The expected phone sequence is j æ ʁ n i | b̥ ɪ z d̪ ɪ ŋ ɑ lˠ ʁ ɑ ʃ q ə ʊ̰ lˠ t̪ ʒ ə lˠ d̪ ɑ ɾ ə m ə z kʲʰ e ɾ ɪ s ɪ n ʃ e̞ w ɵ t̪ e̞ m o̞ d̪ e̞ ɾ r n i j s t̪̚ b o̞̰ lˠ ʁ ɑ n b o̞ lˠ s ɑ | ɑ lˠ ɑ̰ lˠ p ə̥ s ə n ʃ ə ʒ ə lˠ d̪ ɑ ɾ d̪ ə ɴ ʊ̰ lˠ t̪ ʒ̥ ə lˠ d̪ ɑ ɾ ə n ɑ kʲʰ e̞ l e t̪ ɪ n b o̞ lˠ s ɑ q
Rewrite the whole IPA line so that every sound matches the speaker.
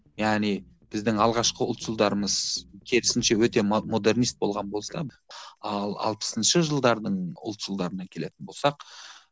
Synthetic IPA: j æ ʁ n i | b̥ ɪ z d̪ ɪ ŋ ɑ lˠ ʁ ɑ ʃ q ə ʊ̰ lˠ t̪ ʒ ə lˠ d̪ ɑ ɾ ə m ə z kʲʰ e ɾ ɪ s ɪ n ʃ e̞ w ɵ t̪ e̞ m o̞ d̪ e̞ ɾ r n i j s t̪̚ b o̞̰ lˠ ʁ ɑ n b o̞ lˠ s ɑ | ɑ lˠ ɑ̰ lˠ p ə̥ s ə n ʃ ə ʒ ə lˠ d̪ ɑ ɾ d̪ ə ɴ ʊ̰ lˠ t̪ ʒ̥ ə lˠ d̪ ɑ ɾ ə n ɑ kʲʰ e̞ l e t̪ ɪ n b o̞ lˠ s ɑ q